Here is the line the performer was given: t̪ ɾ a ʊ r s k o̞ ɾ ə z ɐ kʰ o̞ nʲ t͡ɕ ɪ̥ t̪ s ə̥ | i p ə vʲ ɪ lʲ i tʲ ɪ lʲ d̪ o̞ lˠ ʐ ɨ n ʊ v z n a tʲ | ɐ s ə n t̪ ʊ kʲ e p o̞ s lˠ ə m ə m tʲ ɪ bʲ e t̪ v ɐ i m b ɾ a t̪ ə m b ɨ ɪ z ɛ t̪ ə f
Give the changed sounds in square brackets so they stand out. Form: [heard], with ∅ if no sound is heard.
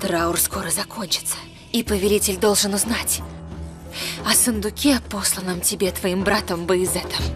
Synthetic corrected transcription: t̪ ɾ a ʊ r s k o̞ ɾ ə z ɐ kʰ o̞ nʲ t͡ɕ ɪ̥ t̪ s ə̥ | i p ə vʲ ɪ lʲ i tʲ ɪ lʲ d̪ o̞ lˠ ʐ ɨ n ʊ [∅] z n a tʲ | ɐ s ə n [d̪] ʊ kʲ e p o̞ s lˠ ə [n] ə m tʲ ɪ bʲ e t̪ v ɐ i m b ɾ a t̪ ə m b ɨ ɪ z ɛ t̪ ə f